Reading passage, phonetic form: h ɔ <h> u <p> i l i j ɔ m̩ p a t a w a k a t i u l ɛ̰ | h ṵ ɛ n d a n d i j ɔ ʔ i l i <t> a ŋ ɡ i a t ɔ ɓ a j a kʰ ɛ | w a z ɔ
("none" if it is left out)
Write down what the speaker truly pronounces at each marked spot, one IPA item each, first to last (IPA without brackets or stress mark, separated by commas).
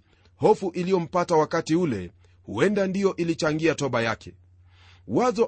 f, ʔ, t͡ʃ